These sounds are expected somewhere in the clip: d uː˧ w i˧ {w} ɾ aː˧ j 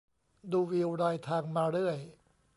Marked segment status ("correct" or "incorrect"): correct